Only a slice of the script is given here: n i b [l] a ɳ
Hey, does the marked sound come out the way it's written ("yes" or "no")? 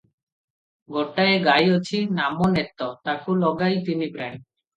no